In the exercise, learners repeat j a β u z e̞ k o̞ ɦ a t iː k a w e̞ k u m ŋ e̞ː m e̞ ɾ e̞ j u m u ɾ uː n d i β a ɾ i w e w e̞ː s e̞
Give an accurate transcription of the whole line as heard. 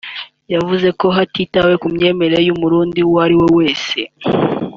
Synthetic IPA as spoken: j a v u z e̞ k o̞ ɦ a t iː t a w e̞ k u m ɲ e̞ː m e̞ ɾ e̞ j u m u ɾ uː n d i w a ɾ i w e w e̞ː s e̞